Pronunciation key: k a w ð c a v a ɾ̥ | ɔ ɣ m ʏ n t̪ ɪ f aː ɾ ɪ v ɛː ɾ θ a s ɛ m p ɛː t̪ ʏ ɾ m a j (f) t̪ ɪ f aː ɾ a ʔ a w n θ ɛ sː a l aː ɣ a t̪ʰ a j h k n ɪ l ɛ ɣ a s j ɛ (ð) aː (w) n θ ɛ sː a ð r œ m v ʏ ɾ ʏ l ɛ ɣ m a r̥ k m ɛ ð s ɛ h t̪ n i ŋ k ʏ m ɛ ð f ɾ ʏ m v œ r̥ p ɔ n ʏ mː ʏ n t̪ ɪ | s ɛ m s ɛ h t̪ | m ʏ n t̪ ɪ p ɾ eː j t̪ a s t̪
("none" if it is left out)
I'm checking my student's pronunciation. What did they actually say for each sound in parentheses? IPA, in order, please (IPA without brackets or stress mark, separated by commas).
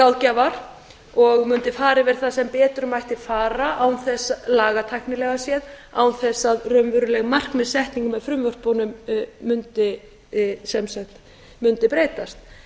h, ð, w